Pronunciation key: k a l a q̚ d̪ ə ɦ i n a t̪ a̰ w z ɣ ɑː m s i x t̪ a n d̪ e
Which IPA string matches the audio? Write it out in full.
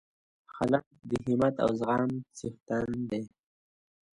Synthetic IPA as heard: x a l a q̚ d̪ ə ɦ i m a t̪ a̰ w z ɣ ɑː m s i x t̪ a n d̪ e